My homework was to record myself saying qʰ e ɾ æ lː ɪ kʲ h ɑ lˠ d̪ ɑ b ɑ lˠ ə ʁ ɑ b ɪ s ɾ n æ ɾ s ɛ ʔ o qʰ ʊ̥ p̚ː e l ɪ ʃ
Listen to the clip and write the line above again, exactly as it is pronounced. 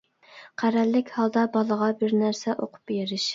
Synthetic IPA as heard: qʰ æ ɾ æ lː ɪ kʲ h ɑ lˠ d̪ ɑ b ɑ lˠ ə ʁ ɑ b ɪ ɾ n æ ɾ s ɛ ʔ o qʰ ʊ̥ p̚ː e ɾ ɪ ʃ